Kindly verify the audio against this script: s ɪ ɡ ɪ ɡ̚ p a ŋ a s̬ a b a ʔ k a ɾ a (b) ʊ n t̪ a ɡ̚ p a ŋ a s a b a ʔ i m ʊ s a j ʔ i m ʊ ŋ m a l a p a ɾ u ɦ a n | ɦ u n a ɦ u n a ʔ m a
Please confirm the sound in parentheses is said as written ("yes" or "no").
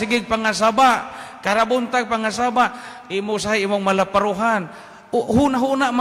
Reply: yes